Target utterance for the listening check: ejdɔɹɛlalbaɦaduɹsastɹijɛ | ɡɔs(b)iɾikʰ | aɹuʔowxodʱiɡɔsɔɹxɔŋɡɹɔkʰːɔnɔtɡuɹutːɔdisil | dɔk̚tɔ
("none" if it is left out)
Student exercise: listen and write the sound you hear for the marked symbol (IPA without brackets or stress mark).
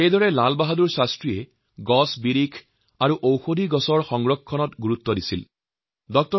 b